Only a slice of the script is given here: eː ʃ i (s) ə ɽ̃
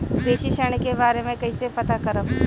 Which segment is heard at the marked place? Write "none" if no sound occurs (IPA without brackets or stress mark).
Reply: ʃ